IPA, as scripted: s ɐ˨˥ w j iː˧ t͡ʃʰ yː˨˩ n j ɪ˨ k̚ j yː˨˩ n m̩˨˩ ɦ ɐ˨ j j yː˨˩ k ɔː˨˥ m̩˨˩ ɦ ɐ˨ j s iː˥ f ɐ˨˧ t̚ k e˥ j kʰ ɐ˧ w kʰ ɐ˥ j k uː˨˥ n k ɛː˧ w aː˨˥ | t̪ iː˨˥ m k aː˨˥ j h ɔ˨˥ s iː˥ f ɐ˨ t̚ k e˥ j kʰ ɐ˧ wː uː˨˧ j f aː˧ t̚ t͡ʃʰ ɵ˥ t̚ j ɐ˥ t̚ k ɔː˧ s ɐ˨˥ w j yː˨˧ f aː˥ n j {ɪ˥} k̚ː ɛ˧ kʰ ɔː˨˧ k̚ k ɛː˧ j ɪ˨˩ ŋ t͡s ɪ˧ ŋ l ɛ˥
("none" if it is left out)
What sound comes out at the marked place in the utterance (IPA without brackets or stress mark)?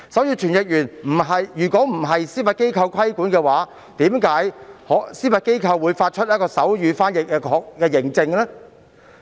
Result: ɪ˨